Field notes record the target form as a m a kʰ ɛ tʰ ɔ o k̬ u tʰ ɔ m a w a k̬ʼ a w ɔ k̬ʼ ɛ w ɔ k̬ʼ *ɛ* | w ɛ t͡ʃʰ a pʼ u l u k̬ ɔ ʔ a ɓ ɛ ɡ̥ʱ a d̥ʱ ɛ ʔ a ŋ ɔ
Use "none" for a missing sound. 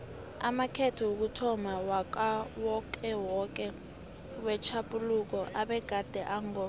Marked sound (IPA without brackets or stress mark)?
ɛ